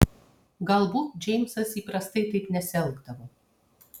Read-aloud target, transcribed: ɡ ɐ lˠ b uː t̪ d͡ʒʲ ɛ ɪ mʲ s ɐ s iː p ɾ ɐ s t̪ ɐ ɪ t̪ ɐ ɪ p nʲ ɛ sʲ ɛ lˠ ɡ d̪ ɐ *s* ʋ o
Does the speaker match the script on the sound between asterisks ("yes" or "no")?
no